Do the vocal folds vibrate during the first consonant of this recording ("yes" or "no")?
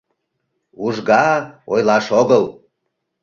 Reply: yes